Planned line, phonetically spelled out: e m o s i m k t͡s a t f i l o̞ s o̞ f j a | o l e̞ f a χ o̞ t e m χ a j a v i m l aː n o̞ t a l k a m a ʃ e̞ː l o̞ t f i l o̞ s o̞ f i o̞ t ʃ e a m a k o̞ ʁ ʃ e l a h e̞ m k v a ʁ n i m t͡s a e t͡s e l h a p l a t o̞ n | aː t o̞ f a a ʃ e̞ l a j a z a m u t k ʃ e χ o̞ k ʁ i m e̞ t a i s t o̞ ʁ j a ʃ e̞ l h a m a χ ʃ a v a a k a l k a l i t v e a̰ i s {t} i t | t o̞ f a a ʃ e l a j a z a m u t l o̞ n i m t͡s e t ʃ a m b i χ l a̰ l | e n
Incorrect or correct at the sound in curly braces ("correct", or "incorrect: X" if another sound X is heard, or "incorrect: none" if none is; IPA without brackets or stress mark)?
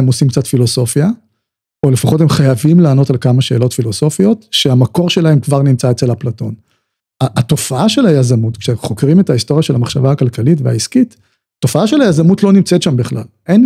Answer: incorrect: k